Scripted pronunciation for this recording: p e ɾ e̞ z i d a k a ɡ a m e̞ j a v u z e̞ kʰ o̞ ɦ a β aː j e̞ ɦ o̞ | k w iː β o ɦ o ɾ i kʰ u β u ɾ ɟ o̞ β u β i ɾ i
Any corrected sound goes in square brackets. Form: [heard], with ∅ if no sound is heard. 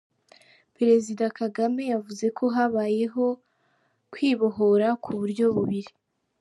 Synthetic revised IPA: p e ɾ e̞ z i d a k a ɡ a m e̞ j a v u z e̞ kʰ o̞ ɦ a β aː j e̞ ɦ o̞ | k w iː β o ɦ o ɾ [a] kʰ u β u ɾ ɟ o̞ β u β i ɾ i